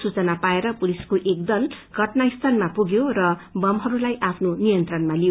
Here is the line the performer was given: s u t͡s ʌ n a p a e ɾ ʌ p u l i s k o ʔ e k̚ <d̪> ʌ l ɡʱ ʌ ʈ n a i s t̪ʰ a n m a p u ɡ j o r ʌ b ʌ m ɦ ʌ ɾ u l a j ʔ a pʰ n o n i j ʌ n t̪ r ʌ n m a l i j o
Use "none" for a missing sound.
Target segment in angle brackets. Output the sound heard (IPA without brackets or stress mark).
d̪